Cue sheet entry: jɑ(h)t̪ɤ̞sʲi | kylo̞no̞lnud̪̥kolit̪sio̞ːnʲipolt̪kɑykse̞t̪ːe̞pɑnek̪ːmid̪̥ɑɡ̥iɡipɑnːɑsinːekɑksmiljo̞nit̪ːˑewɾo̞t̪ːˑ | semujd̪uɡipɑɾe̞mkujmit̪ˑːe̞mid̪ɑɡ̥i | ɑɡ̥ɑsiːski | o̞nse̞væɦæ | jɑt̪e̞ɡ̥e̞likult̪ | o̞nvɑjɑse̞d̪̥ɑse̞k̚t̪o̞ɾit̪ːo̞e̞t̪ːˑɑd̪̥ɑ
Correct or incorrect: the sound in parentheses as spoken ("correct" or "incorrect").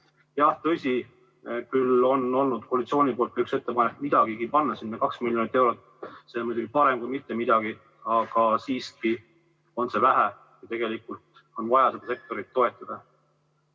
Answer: correct